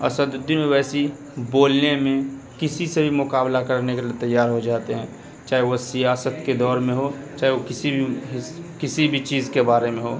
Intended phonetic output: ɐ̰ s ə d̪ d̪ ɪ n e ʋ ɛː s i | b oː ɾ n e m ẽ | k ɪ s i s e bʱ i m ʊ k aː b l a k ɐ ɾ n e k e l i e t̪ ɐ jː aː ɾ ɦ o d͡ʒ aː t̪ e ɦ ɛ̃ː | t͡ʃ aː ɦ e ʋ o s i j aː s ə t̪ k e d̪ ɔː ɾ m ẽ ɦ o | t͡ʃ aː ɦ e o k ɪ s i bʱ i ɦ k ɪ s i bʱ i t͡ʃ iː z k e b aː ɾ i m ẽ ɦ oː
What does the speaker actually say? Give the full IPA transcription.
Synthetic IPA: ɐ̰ s ə d̪ d̪ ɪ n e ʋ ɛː s i | b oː l n e m ẽ | k ɪ s i s e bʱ i m ʊ k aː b l a k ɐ ɾ n e k e l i e t̪ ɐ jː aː ɾ ɦ o d͡ʒ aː t̪ e ɦ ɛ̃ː | t͡ʃ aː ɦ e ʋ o s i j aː s ə t̪ k e d̪ ɔː ɾ m ẽ ɦ o | t͡ʃ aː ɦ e o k ɪ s i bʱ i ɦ k ɪ s i bʱ i t͡ʃ iː z k e b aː ɾ e m ẽ ɦ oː